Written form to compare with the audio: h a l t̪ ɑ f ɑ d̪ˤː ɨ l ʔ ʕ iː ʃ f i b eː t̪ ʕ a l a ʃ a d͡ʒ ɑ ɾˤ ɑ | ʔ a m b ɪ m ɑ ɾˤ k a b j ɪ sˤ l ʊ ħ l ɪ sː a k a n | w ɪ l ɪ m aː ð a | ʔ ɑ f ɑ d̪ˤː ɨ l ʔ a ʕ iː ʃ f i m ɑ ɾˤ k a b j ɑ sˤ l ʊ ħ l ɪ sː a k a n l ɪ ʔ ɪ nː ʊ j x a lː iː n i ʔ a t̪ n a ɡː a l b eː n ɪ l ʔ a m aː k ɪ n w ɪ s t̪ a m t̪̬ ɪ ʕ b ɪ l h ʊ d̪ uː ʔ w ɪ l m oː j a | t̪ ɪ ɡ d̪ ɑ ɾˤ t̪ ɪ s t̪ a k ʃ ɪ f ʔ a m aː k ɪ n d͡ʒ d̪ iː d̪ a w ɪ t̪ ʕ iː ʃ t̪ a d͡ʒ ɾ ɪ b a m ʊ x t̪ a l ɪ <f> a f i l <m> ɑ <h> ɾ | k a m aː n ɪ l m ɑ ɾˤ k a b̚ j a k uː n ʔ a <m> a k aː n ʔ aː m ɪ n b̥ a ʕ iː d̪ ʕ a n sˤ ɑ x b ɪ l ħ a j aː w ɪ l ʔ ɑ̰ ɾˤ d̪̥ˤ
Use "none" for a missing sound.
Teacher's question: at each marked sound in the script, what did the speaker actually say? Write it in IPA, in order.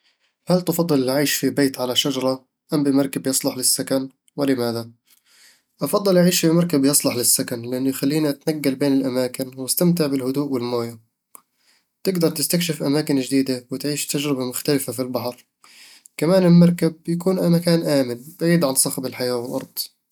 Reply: f, b, ħ, m

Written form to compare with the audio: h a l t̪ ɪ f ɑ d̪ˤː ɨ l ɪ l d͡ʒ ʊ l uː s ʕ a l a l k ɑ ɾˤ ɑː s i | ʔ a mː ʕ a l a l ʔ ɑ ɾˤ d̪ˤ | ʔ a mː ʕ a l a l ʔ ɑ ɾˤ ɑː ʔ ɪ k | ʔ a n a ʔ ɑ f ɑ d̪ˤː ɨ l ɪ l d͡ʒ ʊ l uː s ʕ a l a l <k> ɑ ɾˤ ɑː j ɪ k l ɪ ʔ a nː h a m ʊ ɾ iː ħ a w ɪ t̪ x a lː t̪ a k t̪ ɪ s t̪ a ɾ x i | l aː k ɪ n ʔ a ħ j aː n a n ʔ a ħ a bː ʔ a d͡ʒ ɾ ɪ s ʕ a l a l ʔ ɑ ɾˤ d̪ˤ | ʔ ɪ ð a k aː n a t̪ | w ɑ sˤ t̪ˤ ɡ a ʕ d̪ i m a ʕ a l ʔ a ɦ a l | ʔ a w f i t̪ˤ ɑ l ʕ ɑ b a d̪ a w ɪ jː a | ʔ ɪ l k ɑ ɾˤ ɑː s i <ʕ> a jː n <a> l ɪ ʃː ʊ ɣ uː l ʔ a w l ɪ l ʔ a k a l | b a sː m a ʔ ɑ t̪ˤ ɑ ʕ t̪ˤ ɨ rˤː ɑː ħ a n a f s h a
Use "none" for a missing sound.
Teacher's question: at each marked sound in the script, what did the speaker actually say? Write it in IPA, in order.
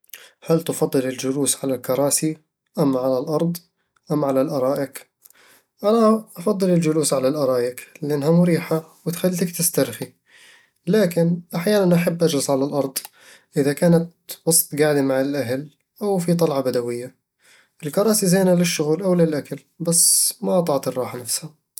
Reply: ʔ, z, a

